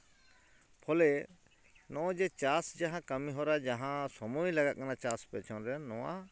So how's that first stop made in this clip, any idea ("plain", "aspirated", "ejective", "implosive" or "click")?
aspirated